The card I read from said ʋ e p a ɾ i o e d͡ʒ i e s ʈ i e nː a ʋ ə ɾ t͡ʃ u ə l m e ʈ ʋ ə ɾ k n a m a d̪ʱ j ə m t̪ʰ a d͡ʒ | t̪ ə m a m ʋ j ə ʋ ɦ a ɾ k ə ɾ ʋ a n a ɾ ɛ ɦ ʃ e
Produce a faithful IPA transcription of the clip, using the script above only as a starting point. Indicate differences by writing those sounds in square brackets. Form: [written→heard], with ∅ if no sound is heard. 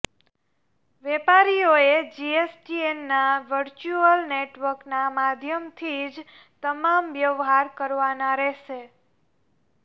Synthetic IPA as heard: ʋ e p a ɾ i o e d͡ʒ i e s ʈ i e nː a ʋ ə ɾ t͡ʃ u ə l [m→n] e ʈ ʋ ə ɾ k n a m a d̪ʱ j ə m t̪ʰ [a→i] d͡ʒ | t̪ ə m a m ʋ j ə ʋ ɦ a ɾ k ə ɾ ʋ a n a ɾ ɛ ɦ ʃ e